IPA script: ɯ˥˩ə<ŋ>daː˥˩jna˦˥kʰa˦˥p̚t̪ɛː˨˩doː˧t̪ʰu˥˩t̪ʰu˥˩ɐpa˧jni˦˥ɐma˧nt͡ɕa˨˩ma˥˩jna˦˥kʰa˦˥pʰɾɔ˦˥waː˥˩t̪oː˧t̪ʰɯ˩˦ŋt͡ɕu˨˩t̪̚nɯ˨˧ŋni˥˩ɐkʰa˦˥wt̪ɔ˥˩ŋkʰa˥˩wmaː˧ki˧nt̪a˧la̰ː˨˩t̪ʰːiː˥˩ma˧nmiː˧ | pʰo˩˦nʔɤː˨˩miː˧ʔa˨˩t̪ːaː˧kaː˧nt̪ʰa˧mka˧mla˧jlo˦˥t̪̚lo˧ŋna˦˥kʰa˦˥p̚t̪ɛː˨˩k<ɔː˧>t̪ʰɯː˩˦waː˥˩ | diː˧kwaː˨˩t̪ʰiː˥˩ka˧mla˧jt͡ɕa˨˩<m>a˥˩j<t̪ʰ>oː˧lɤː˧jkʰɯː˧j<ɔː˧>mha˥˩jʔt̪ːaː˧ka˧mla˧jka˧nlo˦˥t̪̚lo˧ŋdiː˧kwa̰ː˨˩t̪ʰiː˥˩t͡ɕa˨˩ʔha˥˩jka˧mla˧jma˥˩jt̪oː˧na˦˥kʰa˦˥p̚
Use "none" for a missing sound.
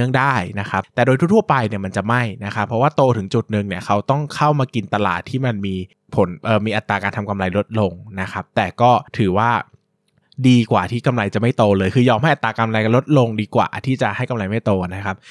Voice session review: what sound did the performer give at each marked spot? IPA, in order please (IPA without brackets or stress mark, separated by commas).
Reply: ŋ, ɔː˥˩, m, t̪, ɔː˧